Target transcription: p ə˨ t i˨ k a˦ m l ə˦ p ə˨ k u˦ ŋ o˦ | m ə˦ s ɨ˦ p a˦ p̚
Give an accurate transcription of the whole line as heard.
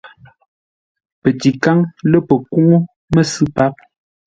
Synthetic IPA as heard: p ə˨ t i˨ k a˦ ŋ l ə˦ p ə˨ k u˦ ŋ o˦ | m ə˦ s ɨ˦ p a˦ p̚